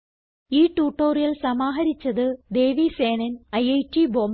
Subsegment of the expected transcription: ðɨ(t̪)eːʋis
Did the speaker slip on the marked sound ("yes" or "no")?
yes